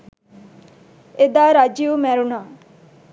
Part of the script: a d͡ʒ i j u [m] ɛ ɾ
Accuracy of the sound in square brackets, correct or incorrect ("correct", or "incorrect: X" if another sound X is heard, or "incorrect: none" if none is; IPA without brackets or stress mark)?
correct